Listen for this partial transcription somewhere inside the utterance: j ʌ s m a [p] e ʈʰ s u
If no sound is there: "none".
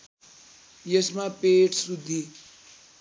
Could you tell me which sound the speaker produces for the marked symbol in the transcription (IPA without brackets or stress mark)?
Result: p